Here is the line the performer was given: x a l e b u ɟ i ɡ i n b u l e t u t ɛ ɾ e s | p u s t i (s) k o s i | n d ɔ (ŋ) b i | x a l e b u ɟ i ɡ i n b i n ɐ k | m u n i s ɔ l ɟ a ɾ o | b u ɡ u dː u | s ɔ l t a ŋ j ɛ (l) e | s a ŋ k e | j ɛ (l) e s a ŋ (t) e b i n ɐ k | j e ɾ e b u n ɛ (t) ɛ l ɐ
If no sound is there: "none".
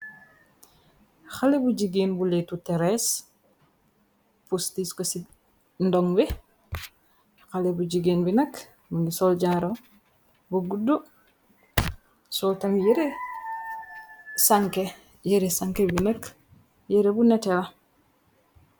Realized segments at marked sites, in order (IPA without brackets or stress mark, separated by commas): s, ŋ, ɾ, ɾ, k, t